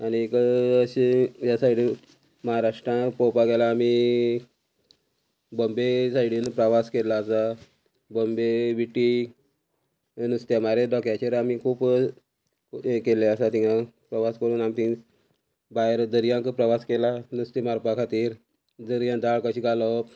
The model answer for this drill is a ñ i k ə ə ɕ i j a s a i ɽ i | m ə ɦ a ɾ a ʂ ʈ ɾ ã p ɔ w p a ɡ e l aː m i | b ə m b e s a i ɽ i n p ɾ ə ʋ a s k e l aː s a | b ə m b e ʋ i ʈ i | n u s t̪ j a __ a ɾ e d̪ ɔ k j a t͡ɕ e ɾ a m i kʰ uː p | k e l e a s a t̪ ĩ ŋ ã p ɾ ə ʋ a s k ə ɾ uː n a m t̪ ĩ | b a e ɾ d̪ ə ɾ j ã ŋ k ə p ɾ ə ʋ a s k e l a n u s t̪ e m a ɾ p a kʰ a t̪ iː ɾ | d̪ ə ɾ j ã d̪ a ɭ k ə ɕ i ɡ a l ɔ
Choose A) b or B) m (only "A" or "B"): B